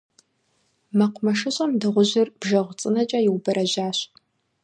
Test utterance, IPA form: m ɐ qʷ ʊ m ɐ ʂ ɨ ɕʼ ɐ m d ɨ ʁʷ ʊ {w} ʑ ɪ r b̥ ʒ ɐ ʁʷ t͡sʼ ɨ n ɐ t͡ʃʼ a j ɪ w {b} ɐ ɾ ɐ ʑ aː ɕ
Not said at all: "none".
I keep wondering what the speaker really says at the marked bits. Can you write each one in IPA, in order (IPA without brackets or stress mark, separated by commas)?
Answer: none, b